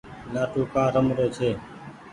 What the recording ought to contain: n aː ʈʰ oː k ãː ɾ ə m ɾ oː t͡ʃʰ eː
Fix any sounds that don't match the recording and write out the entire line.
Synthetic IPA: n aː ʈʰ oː k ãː ɾ ə m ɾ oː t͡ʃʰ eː